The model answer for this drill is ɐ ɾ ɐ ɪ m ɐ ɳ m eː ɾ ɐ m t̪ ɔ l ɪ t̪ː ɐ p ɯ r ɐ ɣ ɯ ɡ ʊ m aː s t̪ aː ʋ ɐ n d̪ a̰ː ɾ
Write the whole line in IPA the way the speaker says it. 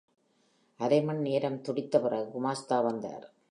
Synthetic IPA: ɐ ɾ ɐ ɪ m ɐ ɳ n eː ɾ ɐ m t̪ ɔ ɽ ɪ t̪ː ɐ p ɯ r ɐ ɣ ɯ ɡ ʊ m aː s t̪ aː ʋ ɐ n d̪ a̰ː ɾ